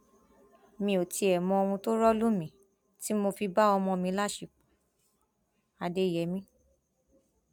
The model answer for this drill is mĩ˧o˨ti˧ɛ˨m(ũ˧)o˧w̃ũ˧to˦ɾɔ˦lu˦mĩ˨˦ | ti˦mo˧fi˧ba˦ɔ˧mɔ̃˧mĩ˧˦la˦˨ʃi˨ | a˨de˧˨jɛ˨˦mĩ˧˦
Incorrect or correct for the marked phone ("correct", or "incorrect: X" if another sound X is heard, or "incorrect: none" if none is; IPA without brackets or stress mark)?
incorrect: ɔ̃˧